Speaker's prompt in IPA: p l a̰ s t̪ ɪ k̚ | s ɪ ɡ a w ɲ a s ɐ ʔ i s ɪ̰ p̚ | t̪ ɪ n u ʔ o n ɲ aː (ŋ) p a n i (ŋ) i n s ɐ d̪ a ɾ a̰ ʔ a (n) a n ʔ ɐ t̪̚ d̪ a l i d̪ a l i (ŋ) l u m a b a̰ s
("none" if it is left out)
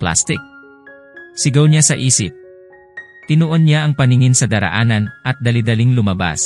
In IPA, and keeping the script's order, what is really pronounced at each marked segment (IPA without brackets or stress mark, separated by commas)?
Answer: ŋ, ŋ, n, ŋ